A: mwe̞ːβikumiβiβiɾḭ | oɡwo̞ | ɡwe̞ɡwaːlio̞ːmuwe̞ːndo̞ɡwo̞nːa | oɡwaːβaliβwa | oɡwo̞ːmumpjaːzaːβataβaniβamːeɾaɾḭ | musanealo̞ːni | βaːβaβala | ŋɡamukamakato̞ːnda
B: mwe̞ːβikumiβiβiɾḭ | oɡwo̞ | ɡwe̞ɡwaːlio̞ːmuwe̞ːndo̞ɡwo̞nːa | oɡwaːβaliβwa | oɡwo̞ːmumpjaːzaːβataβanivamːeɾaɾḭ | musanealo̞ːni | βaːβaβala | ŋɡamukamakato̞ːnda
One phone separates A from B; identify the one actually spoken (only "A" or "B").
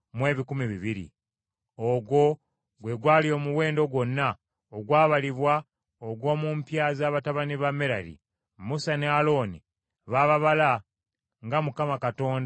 A